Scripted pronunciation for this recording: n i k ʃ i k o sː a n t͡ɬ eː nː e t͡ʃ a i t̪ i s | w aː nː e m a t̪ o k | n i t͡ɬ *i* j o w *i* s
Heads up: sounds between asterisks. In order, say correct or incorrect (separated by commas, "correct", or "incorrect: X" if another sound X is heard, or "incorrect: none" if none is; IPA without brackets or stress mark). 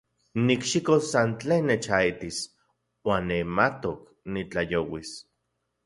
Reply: incorrect: a, correct